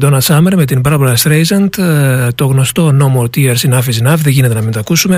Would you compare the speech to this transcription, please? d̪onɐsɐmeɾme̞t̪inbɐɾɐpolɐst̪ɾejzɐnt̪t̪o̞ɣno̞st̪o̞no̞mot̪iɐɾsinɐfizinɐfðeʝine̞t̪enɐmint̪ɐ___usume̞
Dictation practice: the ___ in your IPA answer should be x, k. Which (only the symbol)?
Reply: k